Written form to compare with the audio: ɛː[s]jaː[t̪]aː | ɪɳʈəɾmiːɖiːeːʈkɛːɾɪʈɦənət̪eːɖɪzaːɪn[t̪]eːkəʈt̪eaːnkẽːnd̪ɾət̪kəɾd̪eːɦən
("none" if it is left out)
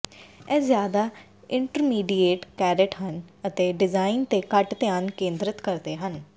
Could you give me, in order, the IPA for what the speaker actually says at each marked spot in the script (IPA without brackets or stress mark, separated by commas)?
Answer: z, d̪, t̪